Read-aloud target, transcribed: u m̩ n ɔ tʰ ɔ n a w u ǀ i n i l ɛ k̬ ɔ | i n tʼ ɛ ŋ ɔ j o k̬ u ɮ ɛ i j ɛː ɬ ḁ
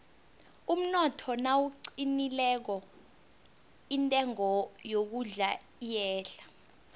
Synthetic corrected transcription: u m̩ n ɔ tʰ ɔ n a w u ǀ i n i l ɛ k̬ ɔ | i n tʼ ɛ ŋ ɔ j o k̬ u ɮ a i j ɛː ɬ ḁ